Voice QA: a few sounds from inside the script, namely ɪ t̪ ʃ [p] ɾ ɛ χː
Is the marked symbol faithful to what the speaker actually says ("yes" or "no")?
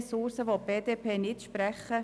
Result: yes